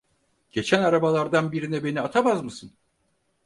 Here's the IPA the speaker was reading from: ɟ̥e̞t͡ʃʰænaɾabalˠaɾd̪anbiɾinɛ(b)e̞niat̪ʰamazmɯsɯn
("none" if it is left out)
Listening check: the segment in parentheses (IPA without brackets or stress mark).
b